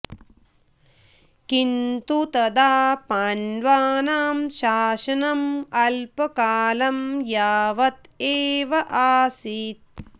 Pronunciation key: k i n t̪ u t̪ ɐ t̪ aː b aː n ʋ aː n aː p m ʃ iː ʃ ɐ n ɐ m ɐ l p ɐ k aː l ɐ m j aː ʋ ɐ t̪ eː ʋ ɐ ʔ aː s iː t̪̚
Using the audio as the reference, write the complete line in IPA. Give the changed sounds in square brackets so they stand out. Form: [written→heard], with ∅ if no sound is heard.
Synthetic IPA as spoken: k i n t̪ u t̪ ɐ [t̪→d̪] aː [b→p] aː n ʋ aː n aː [p→∅] m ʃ [iː→aː] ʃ ɐ n ɐ m ɐ l p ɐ k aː l ɐ m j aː ʋ ɐ t̪ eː ʋ ɐ ʔ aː s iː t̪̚